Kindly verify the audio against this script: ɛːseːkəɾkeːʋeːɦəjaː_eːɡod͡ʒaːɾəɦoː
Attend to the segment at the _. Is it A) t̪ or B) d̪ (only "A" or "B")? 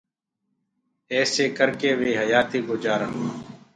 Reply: A